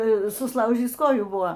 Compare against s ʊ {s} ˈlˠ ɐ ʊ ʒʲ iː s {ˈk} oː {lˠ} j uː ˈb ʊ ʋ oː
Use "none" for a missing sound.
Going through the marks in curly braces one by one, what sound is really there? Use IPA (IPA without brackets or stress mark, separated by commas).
s, k, none